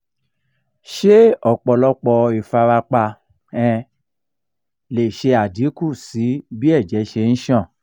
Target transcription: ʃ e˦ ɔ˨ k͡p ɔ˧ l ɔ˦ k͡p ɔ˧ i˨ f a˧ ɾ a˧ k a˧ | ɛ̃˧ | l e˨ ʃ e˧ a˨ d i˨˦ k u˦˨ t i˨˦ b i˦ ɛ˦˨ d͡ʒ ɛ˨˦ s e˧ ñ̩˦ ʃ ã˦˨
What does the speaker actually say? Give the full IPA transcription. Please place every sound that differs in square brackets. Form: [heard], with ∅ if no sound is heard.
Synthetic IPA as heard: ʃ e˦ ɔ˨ k͡p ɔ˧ l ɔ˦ k͡p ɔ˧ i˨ f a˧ ɾ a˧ [k͡p] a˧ | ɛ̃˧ | l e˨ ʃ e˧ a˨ d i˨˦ k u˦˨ [s] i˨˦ b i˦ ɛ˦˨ d͡ʒ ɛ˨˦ [ʃ] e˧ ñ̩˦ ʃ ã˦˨